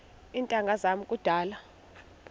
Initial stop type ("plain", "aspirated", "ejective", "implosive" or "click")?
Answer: ejective